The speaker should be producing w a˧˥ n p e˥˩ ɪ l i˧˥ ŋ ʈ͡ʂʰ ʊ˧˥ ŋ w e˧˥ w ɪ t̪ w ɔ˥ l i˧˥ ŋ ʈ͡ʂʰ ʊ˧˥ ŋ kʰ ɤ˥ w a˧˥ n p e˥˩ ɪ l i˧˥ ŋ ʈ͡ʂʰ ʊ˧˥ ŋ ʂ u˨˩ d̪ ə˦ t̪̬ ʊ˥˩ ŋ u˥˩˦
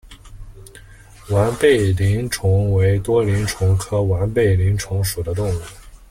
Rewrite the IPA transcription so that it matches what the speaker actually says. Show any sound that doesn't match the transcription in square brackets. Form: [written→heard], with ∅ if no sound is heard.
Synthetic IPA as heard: w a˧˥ n p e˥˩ ɪ l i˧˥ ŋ ʈ͡ʂʰ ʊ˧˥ ŋ w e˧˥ [w→∅] ɪ t̪ w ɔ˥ l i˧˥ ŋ ʈ͡ʂʰ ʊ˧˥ ŋ kʰ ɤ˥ w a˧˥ n p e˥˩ ɪ l i˧˥ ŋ ʈ͡ʂʰ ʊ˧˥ ŋ ʂ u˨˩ d̪ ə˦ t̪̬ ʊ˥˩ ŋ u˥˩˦